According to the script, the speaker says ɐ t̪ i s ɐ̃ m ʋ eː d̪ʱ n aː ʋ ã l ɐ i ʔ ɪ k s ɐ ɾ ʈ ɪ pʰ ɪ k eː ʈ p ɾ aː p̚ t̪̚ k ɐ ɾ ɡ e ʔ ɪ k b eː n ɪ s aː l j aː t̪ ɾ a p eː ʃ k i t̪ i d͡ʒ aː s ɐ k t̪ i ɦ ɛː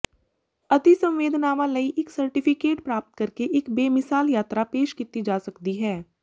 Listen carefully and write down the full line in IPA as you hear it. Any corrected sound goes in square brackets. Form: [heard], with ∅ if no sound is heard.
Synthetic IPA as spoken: ɐ t̪ i s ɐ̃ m ʋ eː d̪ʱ n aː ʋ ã l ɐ i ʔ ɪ k s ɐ ɾ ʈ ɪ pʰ ɪ k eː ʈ p ɾ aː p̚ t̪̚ k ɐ ɾ [k] e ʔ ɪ k b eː [m] ɪ s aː l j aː t̪ ɾ a p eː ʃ k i t̪ i d͡ʒ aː s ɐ k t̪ i ɦ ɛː